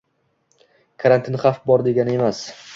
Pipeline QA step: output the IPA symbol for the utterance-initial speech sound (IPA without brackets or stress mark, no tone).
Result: kʰ